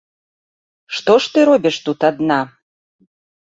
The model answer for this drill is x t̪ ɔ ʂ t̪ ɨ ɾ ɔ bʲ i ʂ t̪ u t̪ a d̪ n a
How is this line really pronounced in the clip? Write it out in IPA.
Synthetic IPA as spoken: ʂ t̪ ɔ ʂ t̪ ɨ ɾ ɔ bʲ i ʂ t̪ u t̪ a d̪ n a

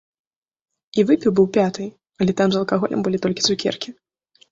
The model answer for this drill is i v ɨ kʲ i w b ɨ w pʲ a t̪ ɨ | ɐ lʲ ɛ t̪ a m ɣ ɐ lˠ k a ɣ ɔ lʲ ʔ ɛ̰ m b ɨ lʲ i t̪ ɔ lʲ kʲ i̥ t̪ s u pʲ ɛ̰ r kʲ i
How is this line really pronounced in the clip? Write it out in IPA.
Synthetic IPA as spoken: i v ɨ pʲ i w b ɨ w pʲ a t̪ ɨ | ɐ lʲ ɛ t̪ a m z ɐ lˠ k a ɣ ɔ lʲ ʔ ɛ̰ m b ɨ lʲ i t̪ ɔ lʲ kʲ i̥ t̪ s u kʲ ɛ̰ r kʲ i

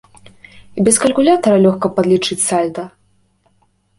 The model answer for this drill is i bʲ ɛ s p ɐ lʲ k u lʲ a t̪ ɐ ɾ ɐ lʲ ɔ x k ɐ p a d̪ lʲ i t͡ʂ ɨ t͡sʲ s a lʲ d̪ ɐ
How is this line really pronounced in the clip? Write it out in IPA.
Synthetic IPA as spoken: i bʲ ɛ s k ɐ lʲ k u lʲ a t̪ ɐ ɾ ɐ lʲ ɔ x k ɐ p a d̪ lʲ i t͡ʂ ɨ t͡sʲ s a lʲ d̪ ɐ

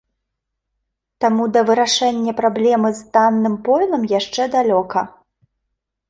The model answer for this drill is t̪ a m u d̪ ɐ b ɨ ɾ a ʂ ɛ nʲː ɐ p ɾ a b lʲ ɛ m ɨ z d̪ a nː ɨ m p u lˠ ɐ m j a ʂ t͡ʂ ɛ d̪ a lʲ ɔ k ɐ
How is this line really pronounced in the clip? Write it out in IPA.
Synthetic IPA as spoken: t̪ a m u d̪ ɐ v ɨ ɾ a ʂ ɛ nʲː ɐ p ɾ a b lʲ ɛ m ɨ z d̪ a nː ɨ m p ɔ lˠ ɐ m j a ʂ t͡ʂ ɛ d̪ a lʲ ɔ k ɐ

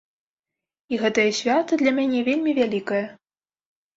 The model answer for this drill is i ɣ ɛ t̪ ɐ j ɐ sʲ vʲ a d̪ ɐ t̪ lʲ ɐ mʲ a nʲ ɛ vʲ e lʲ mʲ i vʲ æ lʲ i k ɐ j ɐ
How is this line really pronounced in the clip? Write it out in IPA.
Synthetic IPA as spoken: i ɣ ɛ t̪ ɐ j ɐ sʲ vʲ a t̪ ɐ d̪ lʲ ɐ mʲ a nʲ ɛ vʲ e lʲ mʲ i vʲ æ lʲ i k ɐ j ɐ

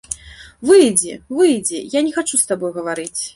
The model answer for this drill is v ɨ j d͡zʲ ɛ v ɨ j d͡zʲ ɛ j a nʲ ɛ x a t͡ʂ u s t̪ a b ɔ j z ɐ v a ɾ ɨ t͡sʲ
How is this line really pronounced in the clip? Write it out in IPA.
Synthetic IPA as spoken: v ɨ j d͡zʲ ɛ v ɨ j d͡zʲ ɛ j a nʲ ɛ x a t͡ʂ u s t̪ a b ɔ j ɣ ɐ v a ɾ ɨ t͡sʲ

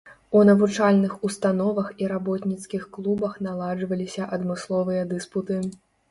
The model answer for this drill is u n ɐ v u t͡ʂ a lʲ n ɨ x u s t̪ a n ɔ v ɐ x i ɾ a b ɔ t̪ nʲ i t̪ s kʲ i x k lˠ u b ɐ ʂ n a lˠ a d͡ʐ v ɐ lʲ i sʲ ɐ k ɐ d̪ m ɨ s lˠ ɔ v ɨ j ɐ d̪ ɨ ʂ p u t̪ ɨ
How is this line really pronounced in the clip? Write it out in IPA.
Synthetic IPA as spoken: u n ɐ v u t͡ʂ a lʲ n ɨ x u s t̪ a n ɔ v ɐ x i ɾ a b ɔ t̪ nʲ i t̪ s kʲ i x k lˠ u b ɐ x n a lˠ a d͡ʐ v ɐ lʲ i sʲ ɐ ʔ ɐ d̪ m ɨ s lˠ ɔ v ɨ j ɐ d̪ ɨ s p u t̪ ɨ

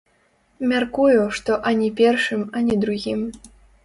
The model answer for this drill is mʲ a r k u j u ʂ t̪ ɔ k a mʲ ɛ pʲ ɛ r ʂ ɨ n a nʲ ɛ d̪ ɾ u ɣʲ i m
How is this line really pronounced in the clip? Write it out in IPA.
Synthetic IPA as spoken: mʲ a r k u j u ʂ t̪ ɔ ʔ a nʲ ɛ pʲ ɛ r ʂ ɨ m a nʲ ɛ d̪ ɾ u ɣʲ i m

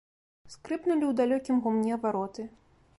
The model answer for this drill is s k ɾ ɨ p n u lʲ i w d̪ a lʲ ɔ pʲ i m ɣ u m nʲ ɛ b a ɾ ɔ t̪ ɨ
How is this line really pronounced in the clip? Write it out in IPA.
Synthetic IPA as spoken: s k ɾ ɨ p n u lʲ i w d̪ a lʲ ɔ kʲ i m ɣ u m nʲ ɛ v a ɾ ɔ t̪ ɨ

